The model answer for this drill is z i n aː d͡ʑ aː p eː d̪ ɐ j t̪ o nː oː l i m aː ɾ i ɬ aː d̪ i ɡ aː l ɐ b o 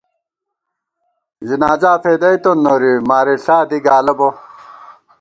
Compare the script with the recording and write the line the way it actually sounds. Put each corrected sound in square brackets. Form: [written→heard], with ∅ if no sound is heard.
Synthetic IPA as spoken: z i n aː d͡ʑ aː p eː d̪ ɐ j t̪ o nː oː [l→ɾ] i m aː ɾ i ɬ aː d̪ i ɡ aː l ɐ b o